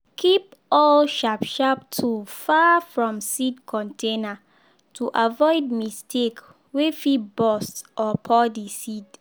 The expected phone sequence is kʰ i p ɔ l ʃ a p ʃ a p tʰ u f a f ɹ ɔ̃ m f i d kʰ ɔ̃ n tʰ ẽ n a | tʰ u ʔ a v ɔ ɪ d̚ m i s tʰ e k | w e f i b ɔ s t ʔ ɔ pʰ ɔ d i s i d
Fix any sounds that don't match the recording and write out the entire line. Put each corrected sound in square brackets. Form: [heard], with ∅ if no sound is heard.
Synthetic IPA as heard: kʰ i p ɔ l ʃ a p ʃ a p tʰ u f a f ɹ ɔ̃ m [s] i d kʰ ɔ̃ n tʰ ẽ n a | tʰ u ʔ a v ɔ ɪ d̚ m i s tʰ e k | w e f i b ɔ s t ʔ ɔ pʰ ɔ d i s i d